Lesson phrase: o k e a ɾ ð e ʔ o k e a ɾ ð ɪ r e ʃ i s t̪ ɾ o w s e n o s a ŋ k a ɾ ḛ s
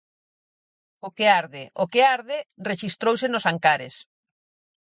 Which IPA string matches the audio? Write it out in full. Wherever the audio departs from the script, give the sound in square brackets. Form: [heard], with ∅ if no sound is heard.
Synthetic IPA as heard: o k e a ɾ ð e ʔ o k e a ɾ ð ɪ r e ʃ i s t̪ ɾ o w s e n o s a ŋ k a ɾ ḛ s